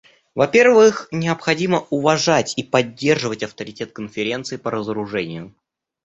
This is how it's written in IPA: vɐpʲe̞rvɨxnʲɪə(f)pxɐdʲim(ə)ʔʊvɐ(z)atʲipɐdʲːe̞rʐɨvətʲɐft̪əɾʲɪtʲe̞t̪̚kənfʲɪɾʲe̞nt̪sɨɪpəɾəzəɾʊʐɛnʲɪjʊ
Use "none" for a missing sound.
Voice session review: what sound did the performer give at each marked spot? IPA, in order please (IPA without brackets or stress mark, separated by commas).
none, ə, ʐ